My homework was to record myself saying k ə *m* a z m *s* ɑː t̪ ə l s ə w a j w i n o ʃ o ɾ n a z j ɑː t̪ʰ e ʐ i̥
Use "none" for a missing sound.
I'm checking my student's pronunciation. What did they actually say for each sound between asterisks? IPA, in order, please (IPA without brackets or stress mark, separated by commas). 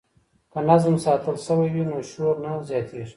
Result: n, s